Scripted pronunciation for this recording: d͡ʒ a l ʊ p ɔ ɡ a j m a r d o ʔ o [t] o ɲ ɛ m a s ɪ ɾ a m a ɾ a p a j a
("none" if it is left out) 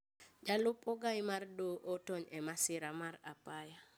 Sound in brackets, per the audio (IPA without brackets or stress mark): t